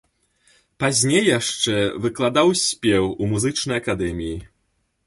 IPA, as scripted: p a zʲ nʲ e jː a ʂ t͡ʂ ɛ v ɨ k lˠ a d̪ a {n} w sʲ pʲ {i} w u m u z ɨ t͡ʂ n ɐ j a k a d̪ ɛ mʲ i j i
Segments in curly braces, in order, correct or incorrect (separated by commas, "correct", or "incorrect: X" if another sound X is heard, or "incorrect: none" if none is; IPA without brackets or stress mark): incorrect: none, incorrect: ɛ